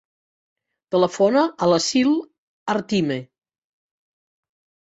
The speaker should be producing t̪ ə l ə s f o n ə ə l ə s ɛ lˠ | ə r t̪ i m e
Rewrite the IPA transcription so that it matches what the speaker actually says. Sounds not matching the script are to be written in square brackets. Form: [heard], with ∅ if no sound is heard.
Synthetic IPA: t̪ ə l ə [∅] f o n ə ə l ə s [i] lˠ | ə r t̪ i m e